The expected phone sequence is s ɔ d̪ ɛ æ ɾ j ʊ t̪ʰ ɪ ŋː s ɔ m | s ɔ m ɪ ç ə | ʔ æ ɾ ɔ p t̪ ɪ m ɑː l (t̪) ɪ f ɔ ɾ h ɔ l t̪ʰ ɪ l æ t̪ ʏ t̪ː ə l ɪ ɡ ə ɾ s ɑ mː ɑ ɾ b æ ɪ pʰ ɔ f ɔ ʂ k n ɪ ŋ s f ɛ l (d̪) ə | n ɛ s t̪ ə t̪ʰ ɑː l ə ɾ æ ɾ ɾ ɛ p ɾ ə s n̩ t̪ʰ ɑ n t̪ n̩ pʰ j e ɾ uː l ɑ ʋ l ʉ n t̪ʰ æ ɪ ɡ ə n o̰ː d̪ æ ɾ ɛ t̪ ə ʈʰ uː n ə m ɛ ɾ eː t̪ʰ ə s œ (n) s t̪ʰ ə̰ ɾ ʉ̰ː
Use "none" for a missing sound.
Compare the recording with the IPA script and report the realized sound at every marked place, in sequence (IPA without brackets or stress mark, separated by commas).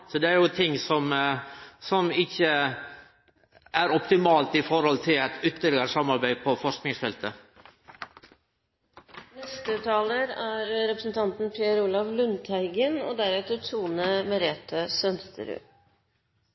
t̪, t̪, n